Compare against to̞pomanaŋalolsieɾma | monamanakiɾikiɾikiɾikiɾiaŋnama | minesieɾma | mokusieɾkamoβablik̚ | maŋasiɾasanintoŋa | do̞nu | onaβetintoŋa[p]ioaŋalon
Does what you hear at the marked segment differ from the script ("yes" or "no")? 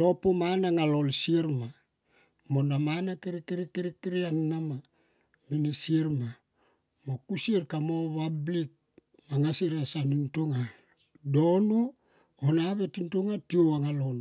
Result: yes